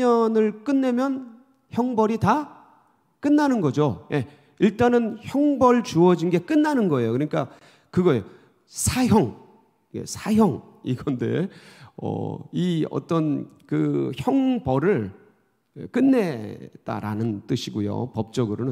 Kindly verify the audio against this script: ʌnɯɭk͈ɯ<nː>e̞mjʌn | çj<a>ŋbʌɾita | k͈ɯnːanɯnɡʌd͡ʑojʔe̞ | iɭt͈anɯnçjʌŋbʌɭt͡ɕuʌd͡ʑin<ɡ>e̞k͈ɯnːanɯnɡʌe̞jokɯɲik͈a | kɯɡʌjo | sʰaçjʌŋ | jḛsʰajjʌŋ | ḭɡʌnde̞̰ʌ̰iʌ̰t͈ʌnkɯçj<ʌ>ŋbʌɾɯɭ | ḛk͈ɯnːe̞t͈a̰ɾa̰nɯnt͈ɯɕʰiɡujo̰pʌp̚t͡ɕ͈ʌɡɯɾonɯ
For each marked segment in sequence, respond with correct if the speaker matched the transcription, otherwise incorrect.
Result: correct, incorrect: ʌ, correct, correct

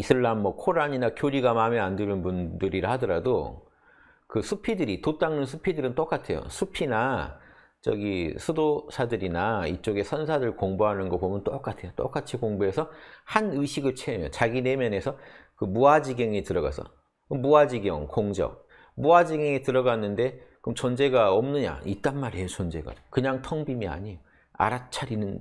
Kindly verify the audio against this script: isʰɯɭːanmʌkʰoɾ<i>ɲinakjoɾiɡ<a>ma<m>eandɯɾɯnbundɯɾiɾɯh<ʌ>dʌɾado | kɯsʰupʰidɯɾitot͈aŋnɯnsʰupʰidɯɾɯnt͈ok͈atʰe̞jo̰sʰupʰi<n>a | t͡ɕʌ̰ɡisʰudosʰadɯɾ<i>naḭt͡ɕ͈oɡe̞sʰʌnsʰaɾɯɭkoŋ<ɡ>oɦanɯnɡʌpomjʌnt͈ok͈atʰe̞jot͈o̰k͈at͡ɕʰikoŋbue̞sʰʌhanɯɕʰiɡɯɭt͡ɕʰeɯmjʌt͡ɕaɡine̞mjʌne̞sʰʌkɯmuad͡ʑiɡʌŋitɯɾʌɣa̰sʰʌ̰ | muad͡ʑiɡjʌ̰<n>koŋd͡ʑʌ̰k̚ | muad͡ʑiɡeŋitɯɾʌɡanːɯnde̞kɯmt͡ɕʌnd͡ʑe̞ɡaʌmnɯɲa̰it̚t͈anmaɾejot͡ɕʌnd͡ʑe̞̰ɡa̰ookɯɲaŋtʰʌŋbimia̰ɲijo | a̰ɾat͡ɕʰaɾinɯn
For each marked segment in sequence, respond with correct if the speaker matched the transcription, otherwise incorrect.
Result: incorrect: a, correct, correct, incorrect: a, correct, correct, incorrect: b, incorrect: ŋ

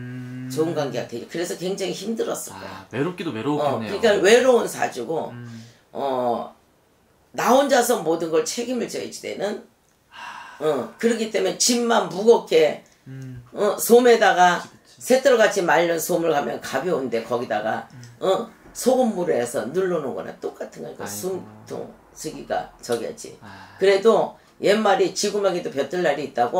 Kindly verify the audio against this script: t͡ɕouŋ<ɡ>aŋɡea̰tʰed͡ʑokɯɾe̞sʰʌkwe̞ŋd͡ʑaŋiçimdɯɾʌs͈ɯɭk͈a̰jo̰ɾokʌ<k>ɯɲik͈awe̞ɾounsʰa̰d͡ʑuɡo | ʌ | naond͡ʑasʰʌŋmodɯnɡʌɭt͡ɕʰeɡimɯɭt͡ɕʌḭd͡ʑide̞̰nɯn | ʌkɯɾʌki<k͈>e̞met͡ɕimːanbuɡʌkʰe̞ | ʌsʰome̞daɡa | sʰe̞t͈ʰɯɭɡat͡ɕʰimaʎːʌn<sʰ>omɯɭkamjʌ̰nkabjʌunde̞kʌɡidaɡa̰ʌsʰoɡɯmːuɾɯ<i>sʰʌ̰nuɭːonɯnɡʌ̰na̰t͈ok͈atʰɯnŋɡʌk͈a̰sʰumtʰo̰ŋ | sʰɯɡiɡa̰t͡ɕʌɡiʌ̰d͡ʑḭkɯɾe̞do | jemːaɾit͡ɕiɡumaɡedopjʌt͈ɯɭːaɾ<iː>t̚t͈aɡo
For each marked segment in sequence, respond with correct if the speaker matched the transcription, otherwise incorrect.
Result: correct, correct, incorrect: t͈, correct, incorrect: e, correct

